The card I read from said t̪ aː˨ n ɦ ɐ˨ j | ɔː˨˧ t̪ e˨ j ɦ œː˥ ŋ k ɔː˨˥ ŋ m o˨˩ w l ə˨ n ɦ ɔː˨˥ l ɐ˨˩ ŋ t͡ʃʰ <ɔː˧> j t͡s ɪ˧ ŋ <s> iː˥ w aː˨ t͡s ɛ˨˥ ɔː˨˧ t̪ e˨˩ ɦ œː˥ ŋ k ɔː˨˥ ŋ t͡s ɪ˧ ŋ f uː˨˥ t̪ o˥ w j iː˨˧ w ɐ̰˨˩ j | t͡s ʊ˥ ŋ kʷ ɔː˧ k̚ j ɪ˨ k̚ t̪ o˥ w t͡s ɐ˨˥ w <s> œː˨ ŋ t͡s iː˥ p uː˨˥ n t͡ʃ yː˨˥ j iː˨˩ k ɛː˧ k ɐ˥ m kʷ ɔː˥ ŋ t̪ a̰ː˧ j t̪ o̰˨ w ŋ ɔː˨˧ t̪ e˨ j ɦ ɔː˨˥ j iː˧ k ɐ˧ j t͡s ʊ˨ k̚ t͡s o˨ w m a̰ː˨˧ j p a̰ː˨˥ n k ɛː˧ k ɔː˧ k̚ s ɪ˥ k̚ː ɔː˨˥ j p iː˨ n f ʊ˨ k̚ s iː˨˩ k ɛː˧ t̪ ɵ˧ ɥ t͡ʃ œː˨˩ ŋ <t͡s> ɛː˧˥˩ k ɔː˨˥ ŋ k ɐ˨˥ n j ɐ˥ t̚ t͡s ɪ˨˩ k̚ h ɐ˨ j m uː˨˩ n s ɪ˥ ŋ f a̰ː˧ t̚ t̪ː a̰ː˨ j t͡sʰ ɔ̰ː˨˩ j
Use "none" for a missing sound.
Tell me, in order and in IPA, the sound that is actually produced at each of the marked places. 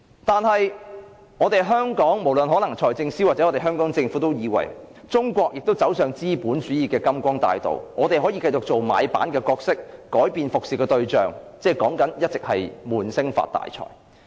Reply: ɔː˨˩, s, s, t͡s

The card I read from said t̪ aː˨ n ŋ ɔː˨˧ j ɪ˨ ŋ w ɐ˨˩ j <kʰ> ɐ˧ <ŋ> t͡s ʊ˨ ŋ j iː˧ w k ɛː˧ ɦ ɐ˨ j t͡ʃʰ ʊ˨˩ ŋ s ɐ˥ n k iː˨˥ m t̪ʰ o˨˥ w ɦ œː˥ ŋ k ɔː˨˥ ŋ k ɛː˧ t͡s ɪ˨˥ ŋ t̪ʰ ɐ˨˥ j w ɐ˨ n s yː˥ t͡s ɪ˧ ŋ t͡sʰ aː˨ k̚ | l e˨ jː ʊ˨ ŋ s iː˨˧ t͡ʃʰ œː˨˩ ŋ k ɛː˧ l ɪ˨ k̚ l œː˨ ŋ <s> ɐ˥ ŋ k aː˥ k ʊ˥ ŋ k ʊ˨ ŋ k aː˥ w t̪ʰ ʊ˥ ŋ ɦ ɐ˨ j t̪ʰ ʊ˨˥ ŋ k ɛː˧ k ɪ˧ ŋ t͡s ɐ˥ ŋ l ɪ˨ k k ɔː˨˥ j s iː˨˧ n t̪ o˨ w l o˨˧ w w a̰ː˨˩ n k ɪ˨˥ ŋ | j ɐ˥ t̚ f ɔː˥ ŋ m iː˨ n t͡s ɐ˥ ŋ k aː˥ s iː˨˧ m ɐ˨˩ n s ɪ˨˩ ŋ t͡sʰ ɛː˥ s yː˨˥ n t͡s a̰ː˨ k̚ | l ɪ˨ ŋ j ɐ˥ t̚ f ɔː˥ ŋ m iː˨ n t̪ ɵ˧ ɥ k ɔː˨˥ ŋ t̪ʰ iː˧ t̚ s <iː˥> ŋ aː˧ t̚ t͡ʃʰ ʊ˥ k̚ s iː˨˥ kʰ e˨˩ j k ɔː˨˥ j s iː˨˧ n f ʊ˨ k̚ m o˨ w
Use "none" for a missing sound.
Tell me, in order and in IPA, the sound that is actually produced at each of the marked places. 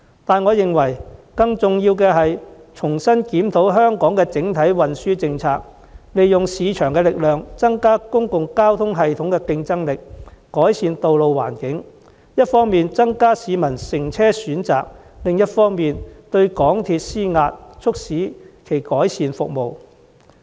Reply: k, ŋ, t͡s, iː˥

